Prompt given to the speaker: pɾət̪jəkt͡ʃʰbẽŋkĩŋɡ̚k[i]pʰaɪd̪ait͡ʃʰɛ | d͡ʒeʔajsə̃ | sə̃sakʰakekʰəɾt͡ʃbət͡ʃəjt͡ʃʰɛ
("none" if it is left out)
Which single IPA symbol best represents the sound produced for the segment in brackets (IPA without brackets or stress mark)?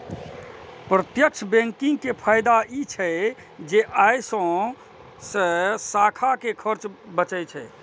e